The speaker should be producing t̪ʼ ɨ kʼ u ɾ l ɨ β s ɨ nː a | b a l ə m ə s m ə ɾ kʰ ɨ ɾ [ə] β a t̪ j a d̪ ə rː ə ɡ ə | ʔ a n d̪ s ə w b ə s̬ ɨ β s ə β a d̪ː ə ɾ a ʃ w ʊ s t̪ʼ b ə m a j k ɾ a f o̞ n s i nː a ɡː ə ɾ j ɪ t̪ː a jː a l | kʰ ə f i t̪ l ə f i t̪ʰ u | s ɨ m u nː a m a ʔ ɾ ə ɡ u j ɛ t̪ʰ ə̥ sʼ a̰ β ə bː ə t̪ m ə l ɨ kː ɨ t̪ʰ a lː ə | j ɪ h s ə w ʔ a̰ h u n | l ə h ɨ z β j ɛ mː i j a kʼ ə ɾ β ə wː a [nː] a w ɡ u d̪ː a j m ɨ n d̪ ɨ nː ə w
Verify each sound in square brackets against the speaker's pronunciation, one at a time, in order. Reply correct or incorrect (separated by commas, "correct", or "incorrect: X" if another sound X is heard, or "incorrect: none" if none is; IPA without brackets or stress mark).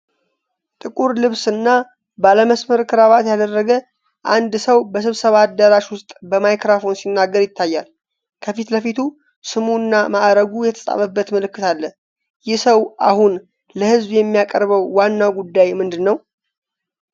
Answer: incorrect: a, correct